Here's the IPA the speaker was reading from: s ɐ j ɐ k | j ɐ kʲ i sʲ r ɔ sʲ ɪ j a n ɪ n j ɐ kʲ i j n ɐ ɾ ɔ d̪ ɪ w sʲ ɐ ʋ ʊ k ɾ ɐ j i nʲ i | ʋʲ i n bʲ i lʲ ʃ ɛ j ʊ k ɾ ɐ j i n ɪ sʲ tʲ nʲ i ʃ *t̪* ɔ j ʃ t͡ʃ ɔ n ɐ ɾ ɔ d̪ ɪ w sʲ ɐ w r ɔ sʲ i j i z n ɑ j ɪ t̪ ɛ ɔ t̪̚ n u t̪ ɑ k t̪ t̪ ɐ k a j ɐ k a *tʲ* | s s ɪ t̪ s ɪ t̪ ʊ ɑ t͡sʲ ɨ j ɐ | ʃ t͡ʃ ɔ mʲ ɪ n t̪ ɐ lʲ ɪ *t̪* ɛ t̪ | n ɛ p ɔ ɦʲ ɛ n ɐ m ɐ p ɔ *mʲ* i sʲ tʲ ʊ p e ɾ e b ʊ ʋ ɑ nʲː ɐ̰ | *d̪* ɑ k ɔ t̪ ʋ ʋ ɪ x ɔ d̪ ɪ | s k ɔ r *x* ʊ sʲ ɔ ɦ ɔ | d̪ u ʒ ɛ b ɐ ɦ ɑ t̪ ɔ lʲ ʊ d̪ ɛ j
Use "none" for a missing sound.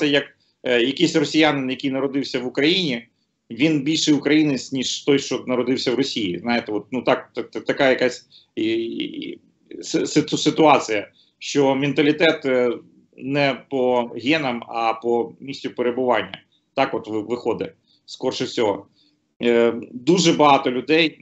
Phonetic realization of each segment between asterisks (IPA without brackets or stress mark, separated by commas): t̪, sʲ, t̪, mʲ, t̪, ʃ